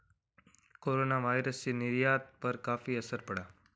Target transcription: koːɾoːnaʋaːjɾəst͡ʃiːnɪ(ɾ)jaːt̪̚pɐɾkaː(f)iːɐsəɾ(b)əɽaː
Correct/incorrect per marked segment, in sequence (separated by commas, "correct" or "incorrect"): correct, correct, incorrect